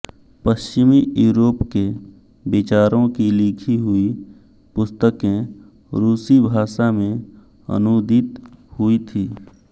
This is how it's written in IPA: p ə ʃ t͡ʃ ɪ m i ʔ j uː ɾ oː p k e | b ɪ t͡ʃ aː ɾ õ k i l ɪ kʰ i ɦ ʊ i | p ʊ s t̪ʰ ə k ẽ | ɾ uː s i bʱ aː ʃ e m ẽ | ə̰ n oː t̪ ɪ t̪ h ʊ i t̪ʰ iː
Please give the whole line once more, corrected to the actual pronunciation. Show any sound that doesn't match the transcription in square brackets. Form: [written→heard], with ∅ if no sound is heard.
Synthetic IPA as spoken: p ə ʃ t͡ʃ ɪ m i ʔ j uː ɾ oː p k e | b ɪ t͡ʃ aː ɾ õ k i l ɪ kʰ i ɦ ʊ i | p ʊ s [t̪ʰ→t̪] ə k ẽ | ɾ uː s i bʱ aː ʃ [e→a] m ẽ | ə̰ n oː [t̪→d̪] ɪ t̪ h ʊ i t̪ʰ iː